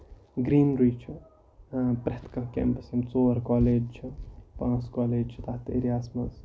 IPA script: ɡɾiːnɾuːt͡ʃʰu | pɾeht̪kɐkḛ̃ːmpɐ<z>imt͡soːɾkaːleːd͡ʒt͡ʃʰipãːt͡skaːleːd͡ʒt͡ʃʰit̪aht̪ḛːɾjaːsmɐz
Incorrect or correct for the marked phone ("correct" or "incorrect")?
incorrect